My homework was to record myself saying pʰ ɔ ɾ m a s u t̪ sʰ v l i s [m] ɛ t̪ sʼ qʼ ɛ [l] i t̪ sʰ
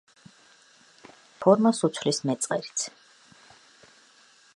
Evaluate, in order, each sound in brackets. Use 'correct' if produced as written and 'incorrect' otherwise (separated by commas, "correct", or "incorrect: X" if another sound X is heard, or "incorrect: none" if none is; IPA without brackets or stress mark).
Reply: correct, incorrect: ɾ